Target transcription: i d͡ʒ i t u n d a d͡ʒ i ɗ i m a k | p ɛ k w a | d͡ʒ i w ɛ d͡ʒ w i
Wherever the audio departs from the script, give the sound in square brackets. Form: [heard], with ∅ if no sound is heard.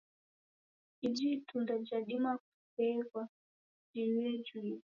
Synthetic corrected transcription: i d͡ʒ i t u n d a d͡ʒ [a] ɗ i m a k | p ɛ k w a | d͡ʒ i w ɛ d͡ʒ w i